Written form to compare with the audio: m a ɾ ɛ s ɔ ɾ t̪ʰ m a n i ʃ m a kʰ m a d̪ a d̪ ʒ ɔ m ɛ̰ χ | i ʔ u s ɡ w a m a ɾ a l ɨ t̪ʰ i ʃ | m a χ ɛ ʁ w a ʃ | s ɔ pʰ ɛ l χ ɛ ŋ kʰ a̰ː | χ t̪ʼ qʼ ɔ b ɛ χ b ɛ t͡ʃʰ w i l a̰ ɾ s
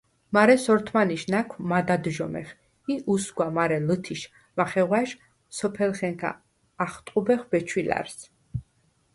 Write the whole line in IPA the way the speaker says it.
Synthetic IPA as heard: m a ɾ ɛ s ɔ ɾ t̪ʰ m a n i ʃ n a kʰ m a d̪ a d̪ ʒ ɔ m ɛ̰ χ | i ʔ u s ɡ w a m a ɾ ɛ l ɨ t̪ʰ i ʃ | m a χ ɛ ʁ w a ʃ | s ɔ pʰ ɛ l χ ɛ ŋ kʰ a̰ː | χ t̪ʼ qʼ u b ɛ χ b ɛ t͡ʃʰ w i l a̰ ɾ s